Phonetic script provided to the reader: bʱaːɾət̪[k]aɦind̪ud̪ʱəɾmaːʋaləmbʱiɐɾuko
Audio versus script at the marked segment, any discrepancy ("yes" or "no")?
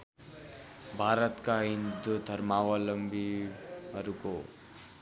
no